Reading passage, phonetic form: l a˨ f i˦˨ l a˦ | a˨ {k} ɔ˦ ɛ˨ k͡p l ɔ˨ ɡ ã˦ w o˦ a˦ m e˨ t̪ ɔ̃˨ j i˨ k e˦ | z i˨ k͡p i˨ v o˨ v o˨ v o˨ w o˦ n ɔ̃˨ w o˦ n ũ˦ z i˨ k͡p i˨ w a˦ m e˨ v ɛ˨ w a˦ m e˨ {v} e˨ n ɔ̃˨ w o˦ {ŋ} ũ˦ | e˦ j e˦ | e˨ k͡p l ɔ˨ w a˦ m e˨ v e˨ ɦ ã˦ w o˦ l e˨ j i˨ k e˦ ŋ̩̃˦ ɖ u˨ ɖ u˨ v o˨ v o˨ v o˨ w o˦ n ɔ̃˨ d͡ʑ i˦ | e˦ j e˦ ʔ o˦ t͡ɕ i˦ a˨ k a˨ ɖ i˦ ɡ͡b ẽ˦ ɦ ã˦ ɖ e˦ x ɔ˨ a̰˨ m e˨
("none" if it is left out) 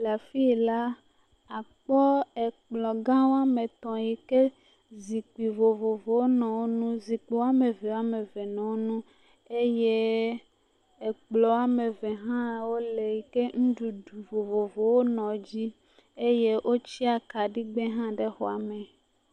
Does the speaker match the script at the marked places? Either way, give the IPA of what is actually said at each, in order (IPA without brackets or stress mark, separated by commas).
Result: k͡p, v, n